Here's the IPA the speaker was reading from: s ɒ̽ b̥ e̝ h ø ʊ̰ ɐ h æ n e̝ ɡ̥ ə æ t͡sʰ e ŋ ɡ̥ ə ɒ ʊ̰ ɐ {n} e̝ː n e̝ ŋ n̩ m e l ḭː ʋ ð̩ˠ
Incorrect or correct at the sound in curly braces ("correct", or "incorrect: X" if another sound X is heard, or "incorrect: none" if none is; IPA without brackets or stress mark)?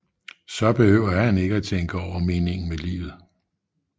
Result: incorrect: m